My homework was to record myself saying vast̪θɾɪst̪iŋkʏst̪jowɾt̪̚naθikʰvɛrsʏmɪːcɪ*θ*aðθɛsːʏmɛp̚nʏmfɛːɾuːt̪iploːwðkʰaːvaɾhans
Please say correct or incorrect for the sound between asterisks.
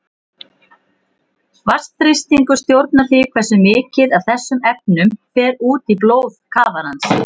incorrect